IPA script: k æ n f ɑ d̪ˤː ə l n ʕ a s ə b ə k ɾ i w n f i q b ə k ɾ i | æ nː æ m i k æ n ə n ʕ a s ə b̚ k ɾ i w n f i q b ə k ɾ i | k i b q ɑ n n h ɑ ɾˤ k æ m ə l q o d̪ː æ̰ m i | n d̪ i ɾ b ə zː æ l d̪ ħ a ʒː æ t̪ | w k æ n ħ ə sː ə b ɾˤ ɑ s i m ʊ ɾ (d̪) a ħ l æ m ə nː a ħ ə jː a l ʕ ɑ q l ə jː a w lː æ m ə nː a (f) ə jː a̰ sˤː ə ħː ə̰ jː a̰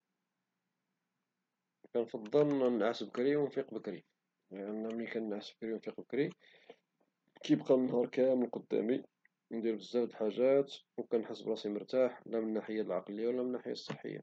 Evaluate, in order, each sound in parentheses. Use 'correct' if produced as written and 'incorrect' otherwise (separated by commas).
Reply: incorrect, incorrect